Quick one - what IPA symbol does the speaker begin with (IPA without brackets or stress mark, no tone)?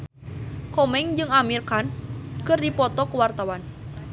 k